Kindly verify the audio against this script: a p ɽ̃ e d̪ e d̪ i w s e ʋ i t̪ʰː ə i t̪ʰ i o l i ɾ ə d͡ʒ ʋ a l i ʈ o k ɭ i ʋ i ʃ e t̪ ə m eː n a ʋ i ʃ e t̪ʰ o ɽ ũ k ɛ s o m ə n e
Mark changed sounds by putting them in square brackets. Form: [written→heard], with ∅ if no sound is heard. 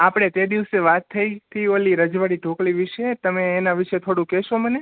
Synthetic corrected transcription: a p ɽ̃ e [d̪→t̪] e d̪ i [w→ʋ] s e ʋ [i→a] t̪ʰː ə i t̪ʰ i o l i ɾ ə d͡ʒ ʋ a [l→ɽ] i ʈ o k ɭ i ʋ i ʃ e t̪ ə m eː n a ʋ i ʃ e t̪ʰ o ɽ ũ k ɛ [s→ʃ] o m ə n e